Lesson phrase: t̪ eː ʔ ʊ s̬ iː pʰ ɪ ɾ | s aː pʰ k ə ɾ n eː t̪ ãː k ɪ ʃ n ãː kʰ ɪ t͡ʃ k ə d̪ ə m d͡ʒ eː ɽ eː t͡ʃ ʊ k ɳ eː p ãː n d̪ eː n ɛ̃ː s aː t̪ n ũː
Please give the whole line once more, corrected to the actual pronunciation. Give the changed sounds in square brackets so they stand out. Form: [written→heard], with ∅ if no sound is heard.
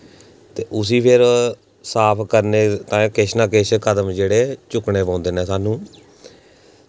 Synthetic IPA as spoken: t̪ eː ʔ ʊ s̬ iː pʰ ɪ ɾ | s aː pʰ k ə ɾ n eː t̪ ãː k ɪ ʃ n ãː [kʰ→k] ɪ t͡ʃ k ə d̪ ə m d͡ʒ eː ɽ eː t͡ʃ ʊ k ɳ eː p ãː n d̪ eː n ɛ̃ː s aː [t̪→∅] n ũː